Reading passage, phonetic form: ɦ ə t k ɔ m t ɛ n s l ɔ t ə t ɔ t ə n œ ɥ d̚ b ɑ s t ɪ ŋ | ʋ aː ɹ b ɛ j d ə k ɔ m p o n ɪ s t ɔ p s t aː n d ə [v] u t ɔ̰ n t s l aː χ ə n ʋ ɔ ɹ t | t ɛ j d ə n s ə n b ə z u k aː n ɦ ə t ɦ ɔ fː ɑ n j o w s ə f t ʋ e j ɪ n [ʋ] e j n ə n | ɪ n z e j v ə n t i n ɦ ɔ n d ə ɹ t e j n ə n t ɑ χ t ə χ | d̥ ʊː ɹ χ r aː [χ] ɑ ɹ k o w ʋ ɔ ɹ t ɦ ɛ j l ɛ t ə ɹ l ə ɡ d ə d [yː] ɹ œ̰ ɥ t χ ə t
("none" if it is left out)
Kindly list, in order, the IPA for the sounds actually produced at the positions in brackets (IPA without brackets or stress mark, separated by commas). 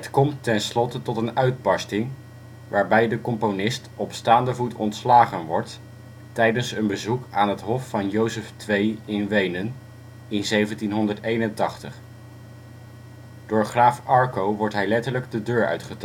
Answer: v, ʋ, f, øː